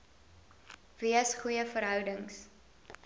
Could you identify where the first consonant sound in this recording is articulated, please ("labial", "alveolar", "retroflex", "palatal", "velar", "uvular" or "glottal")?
labial